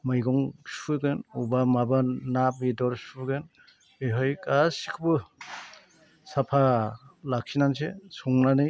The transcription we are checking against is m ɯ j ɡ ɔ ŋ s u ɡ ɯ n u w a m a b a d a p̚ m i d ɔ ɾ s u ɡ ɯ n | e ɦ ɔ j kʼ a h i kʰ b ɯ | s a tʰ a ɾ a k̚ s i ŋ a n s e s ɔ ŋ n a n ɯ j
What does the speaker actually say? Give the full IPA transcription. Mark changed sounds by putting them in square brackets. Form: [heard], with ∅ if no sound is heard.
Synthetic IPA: m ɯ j ɡ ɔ ŋ s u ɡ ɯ n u [b] a m a b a [n] a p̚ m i d ɔ ɾ s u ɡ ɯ n | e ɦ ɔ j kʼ a [s] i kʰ b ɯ | s a [pʰ] a [l] a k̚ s i [n] a n s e s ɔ ŋ n a n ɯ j